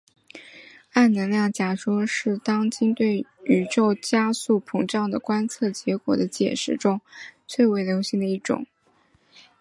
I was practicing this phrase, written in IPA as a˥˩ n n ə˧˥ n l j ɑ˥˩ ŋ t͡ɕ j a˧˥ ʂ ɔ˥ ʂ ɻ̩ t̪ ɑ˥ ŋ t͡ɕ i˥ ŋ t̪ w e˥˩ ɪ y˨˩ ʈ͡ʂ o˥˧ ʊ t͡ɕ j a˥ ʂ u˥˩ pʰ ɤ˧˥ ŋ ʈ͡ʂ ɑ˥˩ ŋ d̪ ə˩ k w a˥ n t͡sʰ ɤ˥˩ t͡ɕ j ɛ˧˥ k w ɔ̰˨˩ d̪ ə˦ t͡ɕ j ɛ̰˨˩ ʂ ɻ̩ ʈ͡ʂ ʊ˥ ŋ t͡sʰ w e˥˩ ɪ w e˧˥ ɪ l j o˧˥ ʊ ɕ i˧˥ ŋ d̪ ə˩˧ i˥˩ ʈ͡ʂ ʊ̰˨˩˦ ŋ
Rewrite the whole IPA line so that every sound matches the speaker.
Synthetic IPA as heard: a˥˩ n n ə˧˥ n l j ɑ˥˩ ŋ t͡ɕ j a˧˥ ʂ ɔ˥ ʂ ɻ̩ t̪ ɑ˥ ŋ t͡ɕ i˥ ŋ t̪ w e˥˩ ɪ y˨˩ ʈ͡ʂ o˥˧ ʊ t͡ɕ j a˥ s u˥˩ pʰ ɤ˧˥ ŋ ʈ͡ʂ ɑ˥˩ ŋ d̪ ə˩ k w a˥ n t͡sʰ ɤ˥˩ t͡ɕ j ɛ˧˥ k w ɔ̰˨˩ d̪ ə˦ t͡ɕ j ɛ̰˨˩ ʂ ɻ̩ ʈ͡ʂ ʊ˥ ŋ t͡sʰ w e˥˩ ɪ w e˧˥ ɪ l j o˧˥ ʊ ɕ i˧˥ ŋ d̪ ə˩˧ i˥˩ ʈ͡ʂ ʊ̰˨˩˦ ŋ